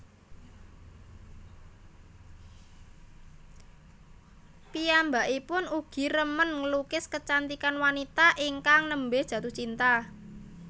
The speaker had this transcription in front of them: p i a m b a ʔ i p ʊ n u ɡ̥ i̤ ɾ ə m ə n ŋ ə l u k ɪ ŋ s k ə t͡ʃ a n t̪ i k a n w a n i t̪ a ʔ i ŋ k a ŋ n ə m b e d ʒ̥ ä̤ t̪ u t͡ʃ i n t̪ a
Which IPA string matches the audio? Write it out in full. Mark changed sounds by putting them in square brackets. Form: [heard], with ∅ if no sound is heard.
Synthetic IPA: p i a m b a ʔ i p ʊ n u ɡ̥ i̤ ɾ ə m ə n ŋ ə l u k ɪ [∅] s k ə t͡ʃ a n t̪ i k a n w a n i t̪ a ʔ i ŋ k a ŋ n ə m b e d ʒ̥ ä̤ t̪ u t͡ʃ i n t̪ a

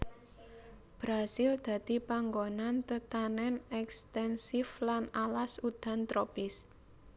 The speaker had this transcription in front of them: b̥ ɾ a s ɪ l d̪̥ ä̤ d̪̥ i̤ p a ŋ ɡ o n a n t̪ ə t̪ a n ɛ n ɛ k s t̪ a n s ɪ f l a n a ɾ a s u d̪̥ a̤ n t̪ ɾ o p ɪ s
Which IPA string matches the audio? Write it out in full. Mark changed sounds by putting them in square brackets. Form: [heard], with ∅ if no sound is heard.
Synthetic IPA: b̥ ɾ a s ɪ l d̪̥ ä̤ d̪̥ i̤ p a ŋ ɡ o n a n t̪ ə t̪ a n ɛ n ɛ k s t̪ [ɛ] n s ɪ f l a n a [l] a s u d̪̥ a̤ n t̪ ɾ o p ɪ s

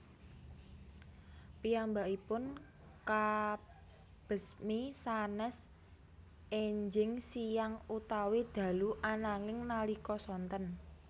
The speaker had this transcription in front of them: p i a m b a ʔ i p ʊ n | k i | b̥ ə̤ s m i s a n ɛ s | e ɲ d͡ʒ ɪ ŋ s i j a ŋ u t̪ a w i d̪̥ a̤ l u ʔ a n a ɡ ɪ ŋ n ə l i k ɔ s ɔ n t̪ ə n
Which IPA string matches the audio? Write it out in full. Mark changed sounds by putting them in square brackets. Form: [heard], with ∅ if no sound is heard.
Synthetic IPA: p i a m b a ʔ i p ʊ n | k [a] | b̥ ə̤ s m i s a n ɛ s | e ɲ d͡ʒ ɪ ŋ s i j a ŋ u t̪ a w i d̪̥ a̤ l u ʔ a n a [ŋ] ɪ ŋ n [a] l i k ɔ s ɔ n t̪ ə n

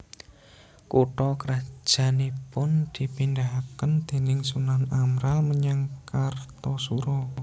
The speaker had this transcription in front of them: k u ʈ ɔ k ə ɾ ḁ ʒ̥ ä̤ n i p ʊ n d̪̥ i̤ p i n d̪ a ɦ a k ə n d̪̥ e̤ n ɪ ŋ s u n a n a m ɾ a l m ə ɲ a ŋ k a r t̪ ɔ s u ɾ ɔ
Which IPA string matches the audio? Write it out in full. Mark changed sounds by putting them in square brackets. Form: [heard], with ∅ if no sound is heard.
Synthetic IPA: k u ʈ ɔ k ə ɾ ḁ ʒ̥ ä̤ n i p ʊ n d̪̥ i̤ p i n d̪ a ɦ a k ə n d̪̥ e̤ n ɪ ŋ s u n a n a m ɾ a l m ə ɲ a ŋ k a r t̪ ɔ s u ɾ ɔ

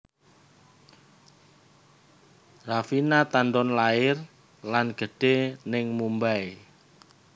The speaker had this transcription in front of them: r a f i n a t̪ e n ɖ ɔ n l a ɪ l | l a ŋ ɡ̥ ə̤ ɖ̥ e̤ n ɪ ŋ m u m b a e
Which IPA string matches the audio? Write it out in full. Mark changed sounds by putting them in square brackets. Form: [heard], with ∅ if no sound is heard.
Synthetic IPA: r a f i n a t̪ [a] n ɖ ɔ n l a ɪ [r] | l a [n] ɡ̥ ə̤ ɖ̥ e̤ n ɪ ŋ m u m b a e

